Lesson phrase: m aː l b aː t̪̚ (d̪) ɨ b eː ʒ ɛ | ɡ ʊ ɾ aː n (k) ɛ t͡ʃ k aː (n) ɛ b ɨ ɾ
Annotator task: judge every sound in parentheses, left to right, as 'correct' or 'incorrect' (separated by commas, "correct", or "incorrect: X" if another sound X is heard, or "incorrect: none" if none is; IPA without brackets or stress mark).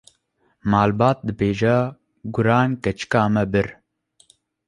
correct, correct, incorrect: m